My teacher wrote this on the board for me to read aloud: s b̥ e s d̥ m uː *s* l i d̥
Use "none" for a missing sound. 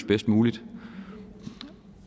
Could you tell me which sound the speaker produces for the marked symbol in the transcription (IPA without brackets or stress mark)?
none